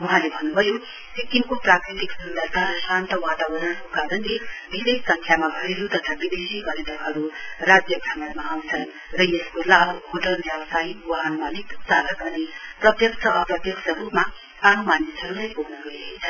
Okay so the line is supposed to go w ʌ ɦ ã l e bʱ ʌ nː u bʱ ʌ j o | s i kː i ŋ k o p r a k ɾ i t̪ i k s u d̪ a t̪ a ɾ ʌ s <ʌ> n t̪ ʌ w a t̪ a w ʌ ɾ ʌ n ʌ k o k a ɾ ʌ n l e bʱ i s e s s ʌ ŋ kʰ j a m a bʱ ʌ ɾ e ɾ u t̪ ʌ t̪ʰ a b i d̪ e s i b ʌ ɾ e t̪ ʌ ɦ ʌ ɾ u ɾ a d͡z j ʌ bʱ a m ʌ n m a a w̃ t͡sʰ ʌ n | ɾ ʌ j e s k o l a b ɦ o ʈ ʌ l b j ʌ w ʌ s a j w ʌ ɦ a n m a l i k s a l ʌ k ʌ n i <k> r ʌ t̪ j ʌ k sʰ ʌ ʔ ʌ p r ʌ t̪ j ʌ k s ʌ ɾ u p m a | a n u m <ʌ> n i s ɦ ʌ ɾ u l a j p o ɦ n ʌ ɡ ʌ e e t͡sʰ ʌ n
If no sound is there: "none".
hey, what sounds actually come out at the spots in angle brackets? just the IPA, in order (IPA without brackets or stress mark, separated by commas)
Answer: a, p, a